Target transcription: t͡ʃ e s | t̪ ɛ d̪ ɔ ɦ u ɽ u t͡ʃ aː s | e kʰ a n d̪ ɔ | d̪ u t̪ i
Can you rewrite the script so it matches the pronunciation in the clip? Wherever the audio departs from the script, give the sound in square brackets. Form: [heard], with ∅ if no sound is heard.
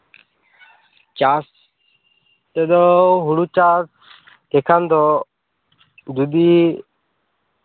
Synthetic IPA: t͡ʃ [a] s | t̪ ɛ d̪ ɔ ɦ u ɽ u t͡ʃ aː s | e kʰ a n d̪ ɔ | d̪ u [d̪] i